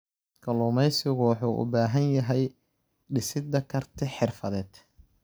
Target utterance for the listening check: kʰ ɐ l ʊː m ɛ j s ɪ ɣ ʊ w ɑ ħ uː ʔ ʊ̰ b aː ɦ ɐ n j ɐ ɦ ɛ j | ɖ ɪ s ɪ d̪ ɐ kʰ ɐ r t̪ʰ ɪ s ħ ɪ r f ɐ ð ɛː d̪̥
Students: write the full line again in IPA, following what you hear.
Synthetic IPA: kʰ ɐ l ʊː m ɛ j s ɪ ɣ ʊ w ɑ ħ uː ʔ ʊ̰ b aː ɦ ɐ n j ɐ ɦ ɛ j | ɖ ɪ s ɪ d̪ ɐ kʰ ɐ r t̪ʰ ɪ ħ ɪ r f ɐ ð ɛː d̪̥